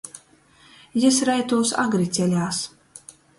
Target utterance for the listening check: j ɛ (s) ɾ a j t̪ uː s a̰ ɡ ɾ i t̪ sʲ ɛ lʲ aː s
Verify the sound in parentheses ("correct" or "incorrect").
correct